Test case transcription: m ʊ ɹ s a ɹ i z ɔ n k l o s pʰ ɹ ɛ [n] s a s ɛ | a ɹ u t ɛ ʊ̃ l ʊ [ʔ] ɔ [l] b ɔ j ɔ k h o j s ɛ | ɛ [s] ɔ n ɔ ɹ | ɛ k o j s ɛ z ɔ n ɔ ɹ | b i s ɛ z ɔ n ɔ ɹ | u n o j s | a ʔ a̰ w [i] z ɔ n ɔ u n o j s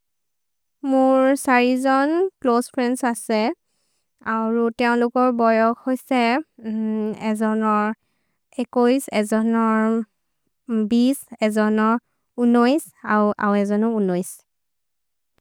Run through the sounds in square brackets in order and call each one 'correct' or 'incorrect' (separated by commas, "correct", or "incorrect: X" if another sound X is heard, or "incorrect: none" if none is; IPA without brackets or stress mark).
correct, incorrect: k, incorrect: ɹ, incorrect: z, incorrect: ɛ